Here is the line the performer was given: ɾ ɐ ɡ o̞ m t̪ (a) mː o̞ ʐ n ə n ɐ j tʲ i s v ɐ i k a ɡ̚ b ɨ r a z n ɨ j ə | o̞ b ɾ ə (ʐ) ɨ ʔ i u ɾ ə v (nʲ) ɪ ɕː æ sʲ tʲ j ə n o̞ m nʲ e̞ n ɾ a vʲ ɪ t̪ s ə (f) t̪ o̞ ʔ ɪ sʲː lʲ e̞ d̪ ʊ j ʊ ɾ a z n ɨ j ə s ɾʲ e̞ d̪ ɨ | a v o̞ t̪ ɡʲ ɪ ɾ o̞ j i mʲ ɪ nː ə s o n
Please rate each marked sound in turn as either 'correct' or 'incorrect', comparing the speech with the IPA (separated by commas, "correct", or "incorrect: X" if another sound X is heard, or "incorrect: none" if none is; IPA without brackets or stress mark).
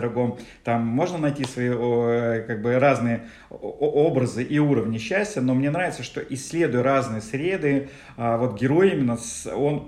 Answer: correct, incorrect: z, correct, incorrect: ʂ